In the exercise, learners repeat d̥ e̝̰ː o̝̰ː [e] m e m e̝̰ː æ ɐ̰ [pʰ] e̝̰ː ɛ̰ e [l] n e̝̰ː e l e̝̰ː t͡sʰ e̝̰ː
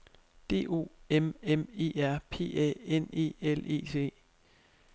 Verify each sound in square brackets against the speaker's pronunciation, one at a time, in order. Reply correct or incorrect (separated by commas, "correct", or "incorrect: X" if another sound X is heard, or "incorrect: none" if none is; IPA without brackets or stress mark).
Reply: correct, correct, incorrect: none